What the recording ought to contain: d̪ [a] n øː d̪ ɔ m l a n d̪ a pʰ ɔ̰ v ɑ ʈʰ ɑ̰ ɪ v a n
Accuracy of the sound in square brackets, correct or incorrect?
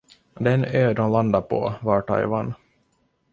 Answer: incorrect